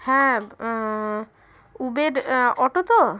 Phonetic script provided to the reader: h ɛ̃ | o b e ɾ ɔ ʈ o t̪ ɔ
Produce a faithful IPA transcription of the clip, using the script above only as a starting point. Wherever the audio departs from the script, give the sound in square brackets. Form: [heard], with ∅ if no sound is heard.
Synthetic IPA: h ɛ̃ | [u] b e ɾ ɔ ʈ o t̪ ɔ